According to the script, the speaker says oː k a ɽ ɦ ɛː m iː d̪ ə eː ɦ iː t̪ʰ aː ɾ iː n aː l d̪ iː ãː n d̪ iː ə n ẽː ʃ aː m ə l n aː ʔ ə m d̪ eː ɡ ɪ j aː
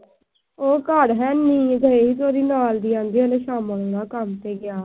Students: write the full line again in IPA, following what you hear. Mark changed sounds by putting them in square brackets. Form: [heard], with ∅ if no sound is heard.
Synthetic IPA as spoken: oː k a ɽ ɦ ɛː [n] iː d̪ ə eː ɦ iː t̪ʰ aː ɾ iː n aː l d̪ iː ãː n d̪ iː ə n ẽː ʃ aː m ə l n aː [k] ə m [t̪] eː ɡ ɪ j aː